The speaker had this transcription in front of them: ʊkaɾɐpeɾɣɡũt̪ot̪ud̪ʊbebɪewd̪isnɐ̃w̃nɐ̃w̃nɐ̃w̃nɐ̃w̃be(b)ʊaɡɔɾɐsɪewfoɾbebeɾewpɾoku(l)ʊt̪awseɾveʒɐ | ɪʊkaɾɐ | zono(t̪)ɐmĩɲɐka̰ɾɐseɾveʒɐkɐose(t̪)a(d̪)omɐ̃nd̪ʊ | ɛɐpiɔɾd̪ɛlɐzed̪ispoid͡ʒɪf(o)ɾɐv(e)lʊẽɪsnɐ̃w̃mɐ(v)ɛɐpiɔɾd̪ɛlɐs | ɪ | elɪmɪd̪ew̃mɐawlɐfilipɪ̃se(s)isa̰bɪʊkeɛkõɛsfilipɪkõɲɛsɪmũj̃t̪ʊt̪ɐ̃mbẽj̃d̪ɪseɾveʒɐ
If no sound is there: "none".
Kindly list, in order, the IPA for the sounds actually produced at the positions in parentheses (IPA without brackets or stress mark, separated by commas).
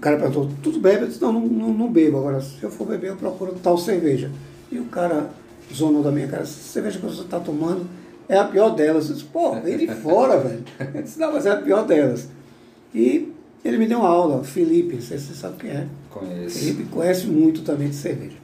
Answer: b, ɾ, d̪, t̪, t̪, ɔ, ɛ, z, s